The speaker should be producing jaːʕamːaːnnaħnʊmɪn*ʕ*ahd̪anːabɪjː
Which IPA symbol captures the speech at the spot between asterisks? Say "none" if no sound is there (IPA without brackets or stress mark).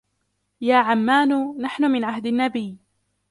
ʕ